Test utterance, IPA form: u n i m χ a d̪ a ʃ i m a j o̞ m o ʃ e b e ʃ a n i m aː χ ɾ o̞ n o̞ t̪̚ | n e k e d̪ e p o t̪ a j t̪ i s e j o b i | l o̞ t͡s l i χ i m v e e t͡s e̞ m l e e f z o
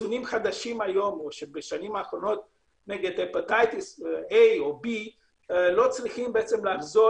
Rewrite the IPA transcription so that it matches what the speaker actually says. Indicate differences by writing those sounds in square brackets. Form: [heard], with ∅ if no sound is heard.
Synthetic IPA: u n i m χ a d̪ a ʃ i m a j o̞ m o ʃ e b e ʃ a n i m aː χ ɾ o̞ n o̞ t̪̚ | n e [ɡ] e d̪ e p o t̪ a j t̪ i s e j o b i | l o̞ t͡s l i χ i m [b] e e t͡s e̞ m l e [a] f z o